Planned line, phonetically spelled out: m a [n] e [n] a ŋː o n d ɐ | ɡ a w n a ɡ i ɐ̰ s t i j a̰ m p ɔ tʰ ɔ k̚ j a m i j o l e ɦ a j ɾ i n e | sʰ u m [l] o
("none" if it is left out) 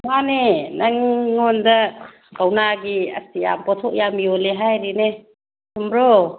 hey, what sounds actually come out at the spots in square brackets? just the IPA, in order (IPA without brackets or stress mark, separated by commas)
n, n, ɾ